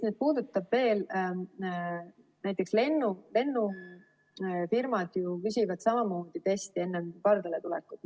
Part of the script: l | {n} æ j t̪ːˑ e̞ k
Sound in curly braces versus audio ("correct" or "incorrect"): correct